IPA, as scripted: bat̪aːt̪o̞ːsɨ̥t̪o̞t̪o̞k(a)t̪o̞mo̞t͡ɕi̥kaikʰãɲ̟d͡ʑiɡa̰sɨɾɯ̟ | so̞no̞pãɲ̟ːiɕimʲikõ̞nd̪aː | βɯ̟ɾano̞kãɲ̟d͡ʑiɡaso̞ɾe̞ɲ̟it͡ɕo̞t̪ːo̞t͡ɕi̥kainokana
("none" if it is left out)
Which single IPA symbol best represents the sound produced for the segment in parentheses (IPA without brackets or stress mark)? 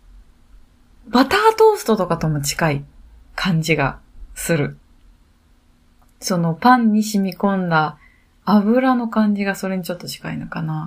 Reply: a